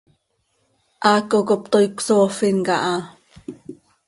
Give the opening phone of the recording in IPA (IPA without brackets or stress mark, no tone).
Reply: ʔ